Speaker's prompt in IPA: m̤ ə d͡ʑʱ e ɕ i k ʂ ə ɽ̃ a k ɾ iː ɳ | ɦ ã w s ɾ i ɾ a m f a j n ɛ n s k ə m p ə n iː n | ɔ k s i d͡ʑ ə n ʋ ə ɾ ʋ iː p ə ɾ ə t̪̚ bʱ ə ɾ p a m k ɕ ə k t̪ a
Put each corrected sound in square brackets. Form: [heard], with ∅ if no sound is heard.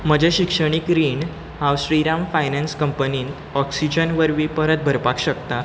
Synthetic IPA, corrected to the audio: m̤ ə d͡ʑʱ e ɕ i k ʂ ə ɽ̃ [i] k ɾ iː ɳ | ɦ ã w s ɾ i ɾ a m f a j n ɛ n s k ə m p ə n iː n | ɔ k s i d͡ʑ ə n ʋ ə ɾ ʋ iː p ə ɾ ə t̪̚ bʱ ə ɾ p a [∅] k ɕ ə k t̪ a